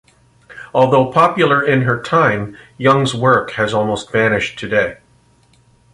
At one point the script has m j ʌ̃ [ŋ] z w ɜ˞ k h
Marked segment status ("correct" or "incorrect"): correct